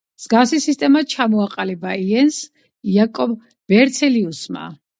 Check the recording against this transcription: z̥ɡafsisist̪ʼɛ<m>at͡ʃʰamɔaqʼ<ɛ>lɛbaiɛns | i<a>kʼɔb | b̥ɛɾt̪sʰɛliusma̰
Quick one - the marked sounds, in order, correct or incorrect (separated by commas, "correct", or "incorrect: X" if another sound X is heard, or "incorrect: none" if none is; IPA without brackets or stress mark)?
correct, incorrect: a, correct